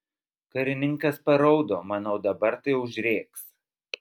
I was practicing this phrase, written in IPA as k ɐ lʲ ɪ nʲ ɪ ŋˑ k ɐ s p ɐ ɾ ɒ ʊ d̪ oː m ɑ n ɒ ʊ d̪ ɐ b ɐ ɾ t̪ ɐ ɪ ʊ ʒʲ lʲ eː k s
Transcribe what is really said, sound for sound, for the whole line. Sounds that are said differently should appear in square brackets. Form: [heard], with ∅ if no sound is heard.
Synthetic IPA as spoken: k ɐ [ɾʲ] ɪ nʲ ɪ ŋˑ k ɐ s p ɐ ɾ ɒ ʊ d̪ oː m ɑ n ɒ ʊ d̪ ɐ b ɐ ɾ t̪ ɐ ɪ ʊ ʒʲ [ɾʲ] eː k s

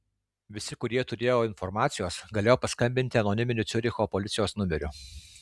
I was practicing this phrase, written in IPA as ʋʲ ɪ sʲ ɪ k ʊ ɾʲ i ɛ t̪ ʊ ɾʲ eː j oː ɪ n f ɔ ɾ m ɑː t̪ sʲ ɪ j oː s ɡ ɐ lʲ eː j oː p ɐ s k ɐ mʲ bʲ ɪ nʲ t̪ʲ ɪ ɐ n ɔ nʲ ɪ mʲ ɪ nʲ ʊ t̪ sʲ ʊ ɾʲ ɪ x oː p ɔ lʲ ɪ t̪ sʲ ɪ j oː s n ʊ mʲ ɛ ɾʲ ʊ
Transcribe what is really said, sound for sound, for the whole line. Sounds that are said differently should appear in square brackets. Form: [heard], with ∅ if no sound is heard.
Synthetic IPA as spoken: ʋʲ ɪ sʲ ɪ k ʊ ɾʲ i ɛ t̪ ʊ ɾʲ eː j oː ɪ n f ɔ ɾ m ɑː t̪ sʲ ɪ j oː s ɡ ɐ lʲ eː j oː p ɐ s k ɐ mʲ bʲ ɪ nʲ t̪ʲ ɪ ɐ n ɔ nʲ ɪ mʲ ɪ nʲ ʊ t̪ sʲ ʊ ɾʲ ɪ x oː p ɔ lʲ ɪ t̪ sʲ ɪ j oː s n ʊ mʲ ɛ ɾʲ ʊ

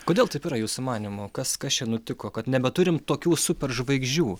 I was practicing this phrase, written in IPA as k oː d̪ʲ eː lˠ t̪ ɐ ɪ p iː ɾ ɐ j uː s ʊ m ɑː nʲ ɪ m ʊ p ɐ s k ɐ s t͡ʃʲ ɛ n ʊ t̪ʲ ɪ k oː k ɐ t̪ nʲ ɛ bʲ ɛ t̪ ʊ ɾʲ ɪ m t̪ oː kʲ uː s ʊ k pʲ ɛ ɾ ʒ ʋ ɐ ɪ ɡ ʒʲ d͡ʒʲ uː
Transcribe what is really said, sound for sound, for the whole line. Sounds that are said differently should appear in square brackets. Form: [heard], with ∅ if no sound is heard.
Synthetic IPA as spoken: k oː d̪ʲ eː lˠ t̪ ɐ ɪ p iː ɾ ɐ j uː s ʊ m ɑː nʲ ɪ m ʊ [k] ɐ s k ɐ s t͡ʃʲ ɛ n ʊ t̪ʲ ɪ k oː k ɐ t̪ nʲ ɛ bʲ ɛ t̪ ʊ ɾʲ ɪ m t̪ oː kʲ uː s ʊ [∅] pʲ ɛ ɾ ʒ ʋ ɐ ɪ ɡ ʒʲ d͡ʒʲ uː

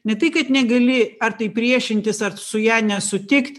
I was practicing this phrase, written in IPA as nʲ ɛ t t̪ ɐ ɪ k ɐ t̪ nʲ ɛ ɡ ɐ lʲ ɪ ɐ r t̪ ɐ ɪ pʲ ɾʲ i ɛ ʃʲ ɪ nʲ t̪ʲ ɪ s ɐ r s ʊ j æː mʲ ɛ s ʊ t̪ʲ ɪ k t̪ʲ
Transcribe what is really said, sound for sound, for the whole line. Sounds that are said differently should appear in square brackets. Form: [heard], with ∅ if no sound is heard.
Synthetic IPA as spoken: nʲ ɛ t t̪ ɐ ɪ k ɐ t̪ nʲ ɛ ɡ ɐ lʲ ɪ ɐ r t̪ ɐ ɪ pʲ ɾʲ i ɛ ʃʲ ɪ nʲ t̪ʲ ɪ s ɐ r s ʊ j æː [nʲ] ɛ s ʊ t̪ʲ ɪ k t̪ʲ

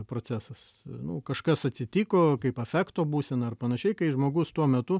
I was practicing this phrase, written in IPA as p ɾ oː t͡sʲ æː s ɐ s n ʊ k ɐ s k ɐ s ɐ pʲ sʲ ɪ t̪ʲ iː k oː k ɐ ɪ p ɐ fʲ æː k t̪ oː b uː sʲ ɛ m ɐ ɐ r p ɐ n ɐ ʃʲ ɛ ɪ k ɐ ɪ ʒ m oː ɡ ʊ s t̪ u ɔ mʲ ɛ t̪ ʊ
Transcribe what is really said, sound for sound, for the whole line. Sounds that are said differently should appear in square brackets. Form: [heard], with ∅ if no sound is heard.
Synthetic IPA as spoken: p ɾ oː t͡sʲ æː s ɐ s n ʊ k ɐ [ʃ] k ɐ s ɐ [tʲ] sʲ ɪ t̪ʲ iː k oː k ɐ ɪ p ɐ fʲ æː k t̪ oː b uː sʲ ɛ [n] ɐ ɐ r p ɐ n ɐ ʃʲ ɛ ɪ k ɐ ɪ ʒ m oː ɡ ʊ s t̪ u ɔ mʲ ɛ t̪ ʊ

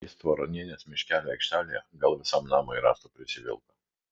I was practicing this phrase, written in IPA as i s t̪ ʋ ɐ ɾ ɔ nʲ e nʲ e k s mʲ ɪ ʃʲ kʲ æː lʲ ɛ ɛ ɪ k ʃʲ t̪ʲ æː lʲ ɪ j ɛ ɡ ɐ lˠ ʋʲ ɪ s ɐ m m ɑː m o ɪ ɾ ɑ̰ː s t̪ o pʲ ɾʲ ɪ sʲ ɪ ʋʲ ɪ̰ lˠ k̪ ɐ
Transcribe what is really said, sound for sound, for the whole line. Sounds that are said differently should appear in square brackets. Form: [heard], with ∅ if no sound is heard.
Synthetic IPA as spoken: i s t̪ ʋ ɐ ɾ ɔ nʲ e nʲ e [∅] s mʲ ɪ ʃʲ kʲ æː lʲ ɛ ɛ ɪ k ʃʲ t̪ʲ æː lʲ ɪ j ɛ ɡ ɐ lˠ ʋʲ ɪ s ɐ m [n] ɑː m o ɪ ɾ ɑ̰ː s t̪ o pʲ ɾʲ ɪ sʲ ɪ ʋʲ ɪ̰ lˠ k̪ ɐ

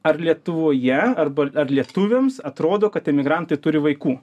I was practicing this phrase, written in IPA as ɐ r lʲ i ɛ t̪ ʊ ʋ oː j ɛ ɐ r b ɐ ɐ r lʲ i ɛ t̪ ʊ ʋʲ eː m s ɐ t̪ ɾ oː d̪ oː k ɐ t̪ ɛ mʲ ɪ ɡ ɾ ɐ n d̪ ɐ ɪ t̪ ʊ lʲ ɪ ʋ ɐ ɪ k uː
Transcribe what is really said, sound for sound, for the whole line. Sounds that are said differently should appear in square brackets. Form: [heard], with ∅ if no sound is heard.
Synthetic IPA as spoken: ɐ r lʲ i ɛ t̪ ʊ ʋ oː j ɛ ɐ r b ɐ ɐ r lʲ i ɛ t̪ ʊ ʋʲ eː m s ɐ t̪ ɾ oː d̪ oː k ɐ t̪ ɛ mʲ ɪ ɡ ɾ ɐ n [t̪] ɐ ɪ t̪ ʊ [ɾʲ] ɪ ʋ ɐ ɪ k uː

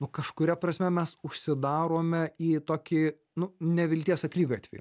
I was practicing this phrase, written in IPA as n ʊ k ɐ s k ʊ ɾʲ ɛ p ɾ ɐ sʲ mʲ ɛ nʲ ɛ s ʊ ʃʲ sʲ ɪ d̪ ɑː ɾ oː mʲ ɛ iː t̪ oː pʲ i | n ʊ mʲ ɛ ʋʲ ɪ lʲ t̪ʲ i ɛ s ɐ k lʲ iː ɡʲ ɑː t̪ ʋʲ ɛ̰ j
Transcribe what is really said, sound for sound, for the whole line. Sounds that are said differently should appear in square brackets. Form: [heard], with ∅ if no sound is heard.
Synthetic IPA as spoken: n ʊ k ɐ [ʃ] k ʊ ɾʲ ɛ p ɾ ɐ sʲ mʲ ɛ [mʲ] ɛ s ʊ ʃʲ sʲ ɪ d̪ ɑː ɾ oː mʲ ɛ iː t̪ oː [kʲ] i | n ʊ [nʲ] ɛ ʋʲ ɪ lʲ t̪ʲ i ɛ s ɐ k lʲ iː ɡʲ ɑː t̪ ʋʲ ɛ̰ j

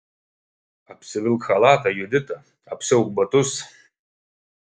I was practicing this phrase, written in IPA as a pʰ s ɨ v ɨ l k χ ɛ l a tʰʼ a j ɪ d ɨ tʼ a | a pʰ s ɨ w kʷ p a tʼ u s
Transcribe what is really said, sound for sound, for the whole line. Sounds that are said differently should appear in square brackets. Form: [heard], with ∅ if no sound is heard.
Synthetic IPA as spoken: a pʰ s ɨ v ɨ l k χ [a] l a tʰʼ a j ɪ d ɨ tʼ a | a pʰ s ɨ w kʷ [b] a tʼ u s

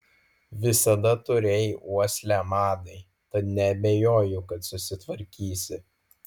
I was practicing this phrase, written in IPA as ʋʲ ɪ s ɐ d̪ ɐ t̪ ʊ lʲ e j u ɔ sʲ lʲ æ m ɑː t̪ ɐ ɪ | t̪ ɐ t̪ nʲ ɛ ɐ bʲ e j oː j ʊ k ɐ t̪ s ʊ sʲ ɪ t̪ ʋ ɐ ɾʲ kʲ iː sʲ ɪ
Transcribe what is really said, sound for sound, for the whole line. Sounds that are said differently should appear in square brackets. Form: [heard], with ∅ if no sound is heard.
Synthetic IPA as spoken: ʋʲ ɪ s ɐ d̪ ɐ t̪ ʊ [ɾʲ] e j u ɔ sʲ lʲ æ m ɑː [d̪] ɐ ɪ | t̪ ɐ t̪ nʲ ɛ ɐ bʲ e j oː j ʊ k ɐ t̪ s ʊ sʲ ɪ t̪ ʋ ɐ ɾʲ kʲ iː sʲ ɪ

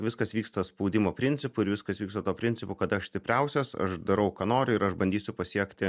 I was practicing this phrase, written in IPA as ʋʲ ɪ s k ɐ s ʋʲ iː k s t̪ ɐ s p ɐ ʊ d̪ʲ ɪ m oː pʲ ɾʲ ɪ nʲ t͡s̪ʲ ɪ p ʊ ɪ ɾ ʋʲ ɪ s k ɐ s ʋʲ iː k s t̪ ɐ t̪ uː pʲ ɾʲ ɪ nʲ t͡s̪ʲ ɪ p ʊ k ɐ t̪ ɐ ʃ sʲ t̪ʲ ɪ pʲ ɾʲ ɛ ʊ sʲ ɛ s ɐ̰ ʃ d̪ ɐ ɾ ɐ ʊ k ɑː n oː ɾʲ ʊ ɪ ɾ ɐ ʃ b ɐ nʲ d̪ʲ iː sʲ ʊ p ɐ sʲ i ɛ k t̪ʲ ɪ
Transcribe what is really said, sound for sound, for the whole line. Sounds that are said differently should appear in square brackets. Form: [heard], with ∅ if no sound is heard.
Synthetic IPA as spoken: ʋʲ ɪ s k ɐ s ʋʲ iː k s t̪ ɐ s p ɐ ʊ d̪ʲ ɪ m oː pʲ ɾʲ ɪ nʲ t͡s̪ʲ ɪ p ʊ ɪ ɾ ʋʲ ɪ s k ɐ s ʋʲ iː k s t̪ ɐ t̪ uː pʲ ɾʲ ɪ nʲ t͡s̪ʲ ɪ p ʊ k ɐ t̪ ɐ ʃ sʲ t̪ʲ ɪ pʲ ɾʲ ɛ ʊ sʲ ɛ s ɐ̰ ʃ d̪ ɐ ɾ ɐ ʊ k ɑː n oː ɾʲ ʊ ɪ ɾ ɐ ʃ b ɐ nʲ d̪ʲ iː sʲ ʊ p ɐ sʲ i ɛ k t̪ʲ ɪ

